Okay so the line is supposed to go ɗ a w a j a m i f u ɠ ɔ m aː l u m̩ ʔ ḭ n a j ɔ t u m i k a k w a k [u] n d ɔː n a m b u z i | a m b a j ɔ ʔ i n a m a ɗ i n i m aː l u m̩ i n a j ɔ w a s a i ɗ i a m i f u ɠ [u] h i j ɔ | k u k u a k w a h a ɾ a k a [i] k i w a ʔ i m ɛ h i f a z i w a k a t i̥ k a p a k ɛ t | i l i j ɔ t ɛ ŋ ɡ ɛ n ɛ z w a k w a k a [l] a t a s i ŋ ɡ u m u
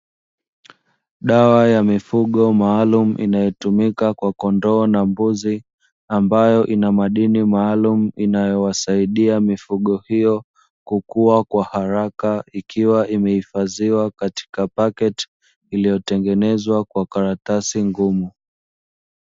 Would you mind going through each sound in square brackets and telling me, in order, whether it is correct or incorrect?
incorrect, incorrect, correct, incorrect

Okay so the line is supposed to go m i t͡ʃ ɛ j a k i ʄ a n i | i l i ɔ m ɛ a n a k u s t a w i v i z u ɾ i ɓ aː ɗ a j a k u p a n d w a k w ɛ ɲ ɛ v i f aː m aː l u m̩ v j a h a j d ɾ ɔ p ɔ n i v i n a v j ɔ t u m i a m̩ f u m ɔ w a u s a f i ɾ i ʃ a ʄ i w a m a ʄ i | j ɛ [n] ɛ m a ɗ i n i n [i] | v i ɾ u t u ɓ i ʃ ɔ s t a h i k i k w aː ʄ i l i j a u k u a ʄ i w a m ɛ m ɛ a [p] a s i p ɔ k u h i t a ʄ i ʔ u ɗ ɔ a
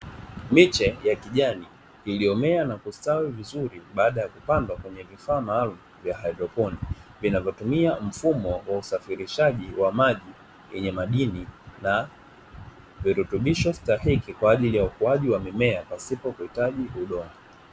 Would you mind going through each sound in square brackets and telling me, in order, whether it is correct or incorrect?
incorrect, incorrect, correct

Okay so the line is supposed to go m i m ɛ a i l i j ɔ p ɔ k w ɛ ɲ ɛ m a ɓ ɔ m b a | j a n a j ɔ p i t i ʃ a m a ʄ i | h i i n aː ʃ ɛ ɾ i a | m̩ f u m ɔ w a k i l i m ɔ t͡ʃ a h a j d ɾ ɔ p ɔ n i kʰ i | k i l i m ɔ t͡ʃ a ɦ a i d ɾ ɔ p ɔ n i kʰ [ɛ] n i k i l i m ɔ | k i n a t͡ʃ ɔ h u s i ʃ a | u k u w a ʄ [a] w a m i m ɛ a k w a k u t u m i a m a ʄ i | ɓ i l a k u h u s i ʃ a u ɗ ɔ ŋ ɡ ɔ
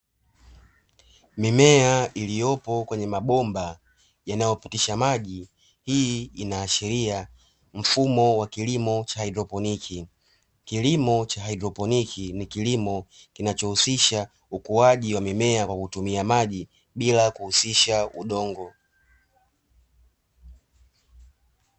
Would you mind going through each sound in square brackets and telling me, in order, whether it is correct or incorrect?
incorrect, incorrect

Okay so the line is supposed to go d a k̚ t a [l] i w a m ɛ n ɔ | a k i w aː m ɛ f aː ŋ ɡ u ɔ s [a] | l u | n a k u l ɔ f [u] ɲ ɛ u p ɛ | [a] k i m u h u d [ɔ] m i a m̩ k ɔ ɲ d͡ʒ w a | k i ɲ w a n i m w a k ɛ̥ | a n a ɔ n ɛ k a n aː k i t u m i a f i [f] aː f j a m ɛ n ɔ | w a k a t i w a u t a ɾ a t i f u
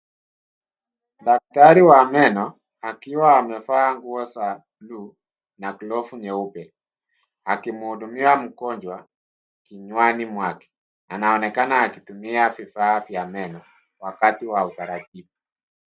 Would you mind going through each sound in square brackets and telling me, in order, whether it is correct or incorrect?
incorrect, correct, correct, correct, incorrect, correct

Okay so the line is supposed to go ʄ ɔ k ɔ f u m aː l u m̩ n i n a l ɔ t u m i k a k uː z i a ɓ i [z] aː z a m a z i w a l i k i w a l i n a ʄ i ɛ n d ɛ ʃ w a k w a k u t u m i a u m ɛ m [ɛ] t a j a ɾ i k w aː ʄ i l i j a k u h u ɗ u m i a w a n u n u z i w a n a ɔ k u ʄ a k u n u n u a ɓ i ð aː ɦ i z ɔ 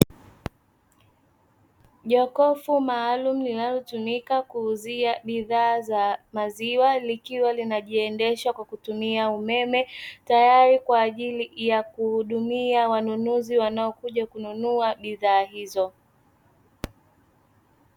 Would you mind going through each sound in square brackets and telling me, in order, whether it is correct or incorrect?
incorrect, correct

